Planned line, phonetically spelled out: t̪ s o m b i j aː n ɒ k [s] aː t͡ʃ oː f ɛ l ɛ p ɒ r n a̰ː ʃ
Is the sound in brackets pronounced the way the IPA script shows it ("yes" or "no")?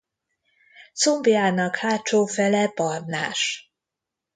no